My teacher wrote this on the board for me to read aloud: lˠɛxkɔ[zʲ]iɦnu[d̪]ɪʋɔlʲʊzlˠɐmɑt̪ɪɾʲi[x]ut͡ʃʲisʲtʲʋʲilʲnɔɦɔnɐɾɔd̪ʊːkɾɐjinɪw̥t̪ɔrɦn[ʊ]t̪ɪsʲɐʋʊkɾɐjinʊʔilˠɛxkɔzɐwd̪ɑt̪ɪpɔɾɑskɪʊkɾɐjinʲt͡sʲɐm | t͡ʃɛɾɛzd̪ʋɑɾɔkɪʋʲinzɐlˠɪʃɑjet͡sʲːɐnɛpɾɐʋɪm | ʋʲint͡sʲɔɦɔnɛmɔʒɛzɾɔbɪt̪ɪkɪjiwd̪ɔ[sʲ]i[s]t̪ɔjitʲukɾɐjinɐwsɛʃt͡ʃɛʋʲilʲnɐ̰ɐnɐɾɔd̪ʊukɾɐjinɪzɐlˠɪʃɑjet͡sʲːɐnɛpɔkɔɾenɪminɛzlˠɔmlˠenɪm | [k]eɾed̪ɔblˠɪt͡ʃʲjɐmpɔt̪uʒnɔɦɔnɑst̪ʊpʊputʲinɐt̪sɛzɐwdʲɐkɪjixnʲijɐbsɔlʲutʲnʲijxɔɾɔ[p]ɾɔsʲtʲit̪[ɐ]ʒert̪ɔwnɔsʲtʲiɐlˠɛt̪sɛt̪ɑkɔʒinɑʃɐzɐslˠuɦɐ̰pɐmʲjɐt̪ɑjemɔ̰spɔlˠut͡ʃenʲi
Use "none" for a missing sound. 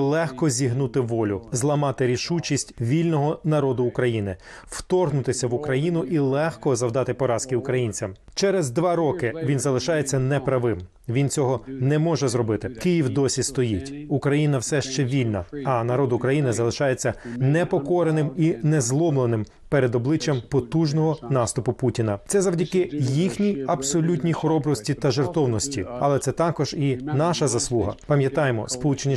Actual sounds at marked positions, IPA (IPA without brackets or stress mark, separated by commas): zʲ, t̪, ʃ, ʊ, sʲ, s, p, b, ɐ